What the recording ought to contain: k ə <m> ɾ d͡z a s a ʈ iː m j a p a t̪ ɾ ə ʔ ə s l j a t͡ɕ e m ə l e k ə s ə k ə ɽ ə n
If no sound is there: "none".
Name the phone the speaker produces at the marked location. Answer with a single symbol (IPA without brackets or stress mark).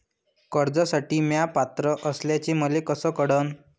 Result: none